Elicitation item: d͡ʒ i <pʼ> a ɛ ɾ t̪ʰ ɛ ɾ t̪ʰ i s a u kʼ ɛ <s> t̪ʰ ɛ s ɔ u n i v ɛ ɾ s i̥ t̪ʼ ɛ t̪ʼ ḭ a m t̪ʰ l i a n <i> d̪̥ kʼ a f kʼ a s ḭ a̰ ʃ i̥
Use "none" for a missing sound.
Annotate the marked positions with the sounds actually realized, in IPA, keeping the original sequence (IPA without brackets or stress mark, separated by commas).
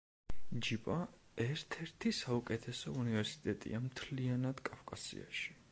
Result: pʼ, none, a